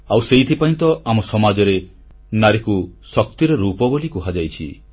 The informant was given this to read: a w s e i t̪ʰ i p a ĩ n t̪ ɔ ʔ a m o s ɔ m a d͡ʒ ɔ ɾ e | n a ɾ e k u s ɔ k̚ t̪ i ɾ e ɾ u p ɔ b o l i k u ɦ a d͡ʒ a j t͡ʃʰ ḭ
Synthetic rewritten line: a w s e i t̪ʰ i p a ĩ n t̪ ɔ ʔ a m ɔ s ɔ m a d͡ʒ ɔ ɾ e | n a ɾ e k u s ɔ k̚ t̪ i ɾ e ɾ u p ɔ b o l i k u ɦ a d͡ʒ a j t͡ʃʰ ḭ